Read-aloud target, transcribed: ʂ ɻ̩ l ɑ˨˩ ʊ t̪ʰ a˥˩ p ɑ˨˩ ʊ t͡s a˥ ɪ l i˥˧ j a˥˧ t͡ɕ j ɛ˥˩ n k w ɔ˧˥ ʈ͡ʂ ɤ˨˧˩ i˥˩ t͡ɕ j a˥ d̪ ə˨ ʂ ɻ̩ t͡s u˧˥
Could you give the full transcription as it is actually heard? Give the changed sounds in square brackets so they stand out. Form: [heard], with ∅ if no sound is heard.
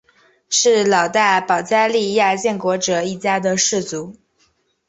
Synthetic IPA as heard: ʂ ɻ̩ l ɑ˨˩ ʊ [t̪] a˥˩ p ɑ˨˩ ʊ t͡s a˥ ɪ l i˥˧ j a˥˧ t͡ɕ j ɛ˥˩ n k w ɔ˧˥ ʈ͡ʂ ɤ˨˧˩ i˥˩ t͡ɕ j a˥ d̪ ə˨ ʂ ɻ̩ t͡s u˧˥

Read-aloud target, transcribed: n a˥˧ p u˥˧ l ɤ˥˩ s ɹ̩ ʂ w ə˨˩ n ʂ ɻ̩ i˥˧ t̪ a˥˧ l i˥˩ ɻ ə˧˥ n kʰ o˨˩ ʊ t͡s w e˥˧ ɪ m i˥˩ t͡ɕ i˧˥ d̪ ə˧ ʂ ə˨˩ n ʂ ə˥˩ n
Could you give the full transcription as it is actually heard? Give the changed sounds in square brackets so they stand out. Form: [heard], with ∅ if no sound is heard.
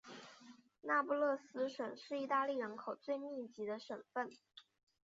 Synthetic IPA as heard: n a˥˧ p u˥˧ l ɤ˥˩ s ɹ̩ ʂ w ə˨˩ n ʂ ɻ̩ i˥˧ t̪ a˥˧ l i˥˩ ɻ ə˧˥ n kʰ o˨˩ ʊ t͡s w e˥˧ ɪ m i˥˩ t͡ɕ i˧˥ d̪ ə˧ ʂ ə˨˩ n [f] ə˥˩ n

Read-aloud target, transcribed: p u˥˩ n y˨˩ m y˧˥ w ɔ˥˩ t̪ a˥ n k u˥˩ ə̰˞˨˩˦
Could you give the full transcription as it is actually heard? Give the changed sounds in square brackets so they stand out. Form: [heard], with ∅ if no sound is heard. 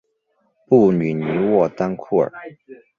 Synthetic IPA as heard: p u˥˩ n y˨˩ [n] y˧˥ w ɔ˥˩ t̪ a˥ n [kʰ] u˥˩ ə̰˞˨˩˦

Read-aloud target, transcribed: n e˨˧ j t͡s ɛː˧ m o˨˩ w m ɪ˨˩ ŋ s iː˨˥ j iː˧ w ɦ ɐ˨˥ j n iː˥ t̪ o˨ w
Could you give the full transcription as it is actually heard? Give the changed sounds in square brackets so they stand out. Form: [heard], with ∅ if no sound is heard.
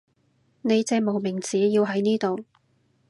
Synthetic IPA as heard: n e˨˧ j t͡s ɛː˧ m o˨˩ w m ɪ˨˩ ŋ [t͡s] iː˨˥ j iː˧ w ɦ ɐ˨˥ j n iː˥ t̪ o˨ w

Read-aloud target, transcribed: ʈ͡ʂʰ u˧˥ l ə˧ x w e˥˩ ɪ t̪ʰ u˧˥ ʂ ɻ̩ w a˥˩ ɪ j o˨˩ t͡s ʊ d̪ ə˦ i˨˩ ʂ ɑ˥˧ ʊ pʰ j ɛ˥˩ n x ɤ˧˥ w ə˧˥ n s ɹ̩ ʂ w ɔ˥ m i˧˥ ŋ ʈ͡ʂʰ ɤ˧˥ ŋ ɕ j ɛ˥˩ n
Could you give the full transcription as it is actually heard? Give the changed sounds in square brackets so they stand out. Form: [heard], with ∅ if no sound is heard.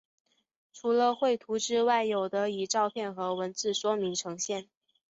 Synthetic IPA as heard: ʈ͡ʂʰ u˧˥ l ə˧ x w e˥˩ ɪ t̪ʰ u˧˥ [ʈ͡ʂ] ɻ̩ w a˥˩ ɪ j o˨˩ [∅] ʊ d̪ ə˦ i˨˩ [ʈ͡ʂ] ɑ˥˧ ʊ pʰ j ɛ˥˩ n x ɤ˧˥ w ə˧˥ n [t͡s] ɹ̩ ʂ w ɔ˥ m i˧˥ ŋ ʈ͡ʂʰ ɤ˧˥ ŋ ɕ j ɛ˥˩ n

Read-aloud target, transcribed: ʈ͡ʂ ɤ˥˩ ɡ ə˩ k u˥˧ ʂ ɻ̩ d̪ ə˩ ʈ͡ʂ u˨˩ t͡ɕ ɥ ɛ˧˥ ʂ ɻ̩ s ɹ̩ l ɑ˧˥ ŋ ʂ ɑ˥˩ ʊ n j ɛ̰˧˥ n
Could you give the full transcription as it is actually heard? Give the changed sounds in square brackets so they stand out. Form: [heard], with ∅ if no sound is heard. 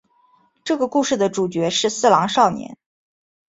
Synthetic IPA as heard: ʈ͡ʂ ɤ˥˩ ɡ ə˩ k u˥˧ ʂ ɻ̩ d̪ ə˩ ʈ͡ʂ u˨˩ t͡ɕ ɥ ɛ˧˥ ʂ ɻ̩ s ɹ̩ l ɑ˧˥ ŋ ʂ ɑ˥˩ ʊ n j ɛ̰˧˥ n

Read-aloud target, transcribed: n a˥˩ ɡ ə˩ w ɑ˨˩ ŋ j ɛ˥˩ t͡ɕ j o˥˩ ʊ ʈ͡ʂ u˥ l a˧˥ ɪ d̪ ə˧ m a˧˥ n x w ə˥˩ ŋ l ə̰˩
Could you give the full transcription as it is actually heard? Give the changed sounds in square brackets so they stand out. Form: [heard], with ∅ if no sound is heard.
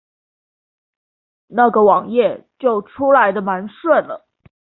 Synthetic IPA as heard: n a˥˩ ɡ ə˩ w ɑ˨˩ ŋ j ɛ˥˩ t͡ɕ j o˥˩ ʊ [ʈ͡ʂʰ] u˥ l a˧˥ ɪ d̪ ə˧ m a˧˥ n [ʂ] w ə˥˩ [n] l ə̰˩

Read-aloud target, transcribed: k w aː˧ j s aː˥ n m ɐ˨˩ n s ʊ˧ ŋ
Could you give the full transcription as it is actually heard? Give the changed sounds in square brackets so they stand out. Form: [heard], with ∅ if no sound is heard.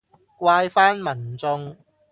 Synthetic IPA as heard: k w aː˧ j [f] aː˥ n m ɐ˨˩ n [t͡s] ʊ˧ ŋ

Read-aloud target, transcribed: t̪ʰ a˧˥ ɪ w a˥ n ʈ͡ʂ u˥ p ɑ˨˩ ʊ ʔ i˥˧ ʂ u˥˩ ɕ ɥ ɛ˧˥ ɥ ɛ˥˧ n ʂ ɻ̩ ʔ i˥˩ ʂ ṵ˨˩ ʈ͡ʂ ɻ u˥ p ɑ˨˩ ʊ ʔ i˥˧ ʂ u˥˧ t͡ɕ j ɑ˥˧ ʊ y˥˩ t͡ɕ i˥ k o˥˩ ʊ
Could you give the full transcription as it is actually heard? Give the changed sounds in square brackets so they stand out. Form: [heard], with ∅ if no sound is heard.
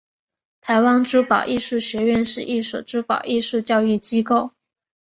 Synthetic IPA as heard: t̪ʰ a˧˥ ɪ w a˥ n ʈ͡ʂ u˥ p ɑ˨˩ ʊ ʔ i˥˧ ʂ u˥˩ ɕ ɥ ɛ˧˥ ɥ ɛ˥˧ n ʂ ɻ̩ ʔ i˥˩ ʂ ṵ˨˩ ʈ͡ʂ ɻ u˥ p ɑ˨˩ ʊ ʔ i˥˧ ʂ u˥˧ t͡ɕ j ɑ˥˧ ʊ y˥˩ t͡ɕ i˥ k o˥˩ ʊ

